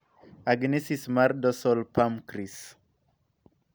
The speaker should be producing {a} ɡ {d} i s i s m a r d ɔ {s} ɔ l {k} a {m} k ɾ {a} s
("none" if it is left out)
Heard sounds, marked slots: a, n, s, p, m, i

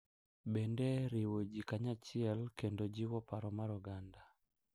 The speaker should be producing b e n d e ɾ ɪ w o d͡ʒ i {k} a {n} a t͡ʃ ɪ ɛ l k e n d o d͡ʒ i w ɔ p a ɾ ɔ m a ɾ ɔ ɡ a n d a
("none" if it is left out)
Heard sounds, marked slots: k, ɲ

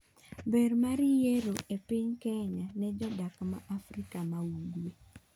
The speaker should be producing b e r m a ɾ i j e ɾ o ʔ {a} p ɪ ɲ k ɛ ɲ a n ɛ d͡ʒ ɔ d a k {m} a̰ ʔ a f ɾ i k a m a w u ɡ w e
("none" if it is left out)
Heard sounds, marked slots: e, m

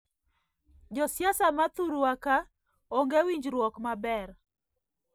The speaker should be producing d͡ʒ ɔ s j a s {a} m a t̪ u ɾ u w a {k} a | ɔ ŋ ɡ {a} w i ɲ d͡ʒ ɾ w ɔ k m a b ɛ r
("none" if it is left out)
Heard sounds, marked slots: a, k, e

